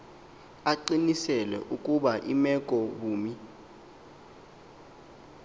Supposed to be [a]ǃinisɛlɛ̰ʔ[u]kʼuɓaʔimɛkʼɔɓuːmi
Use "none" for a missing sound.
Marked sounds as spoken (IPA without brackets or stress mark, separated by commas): a, u